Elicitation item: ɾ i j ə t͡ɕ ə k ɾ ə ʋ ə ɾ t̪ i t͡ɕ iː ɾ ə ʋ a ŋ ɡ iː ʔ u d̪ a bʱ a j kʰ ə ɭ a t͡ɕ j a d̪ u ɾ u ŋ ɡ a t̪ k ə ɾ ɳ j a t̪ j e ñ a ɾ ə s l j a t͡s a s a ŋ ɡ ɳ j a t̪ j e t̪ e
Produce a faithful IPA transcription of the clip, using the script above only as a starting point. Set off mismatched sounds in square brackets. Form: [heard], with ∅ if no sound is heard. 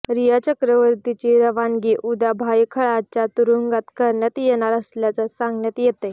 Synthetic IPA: ɾ i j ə t͡ɕ ə k ɾ ə ʋ ə ɾ t̪ i t͡ɕ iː ɾ ə ʋ a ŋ ɡ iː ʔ u d̪ a bʱ a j kʰ ə ɭ a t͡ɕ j a [t̪] u ɾ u ŋ ɡ a t̪ k ə ɾ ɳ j a t̪ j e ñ a ɾ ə s l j a t͡s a s a ŋ ɡ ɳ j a t̪ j e t̪ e